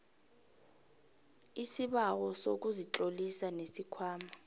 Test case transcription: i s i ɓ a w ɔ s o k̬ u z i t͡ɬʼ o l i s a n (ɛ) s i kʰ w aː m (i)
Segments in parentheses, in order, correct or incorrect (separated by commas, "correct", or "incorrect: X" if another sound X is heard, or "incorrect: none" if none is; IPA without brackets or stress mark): incorrect: e, incorrect: a